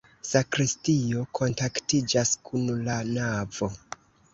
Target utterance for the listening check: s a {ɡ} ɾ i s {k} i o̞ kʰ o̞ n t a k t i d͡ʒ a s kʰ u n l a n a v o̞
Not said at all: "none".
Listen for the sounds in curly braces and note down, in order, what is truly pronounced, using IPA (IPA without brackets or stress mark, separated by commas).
k, t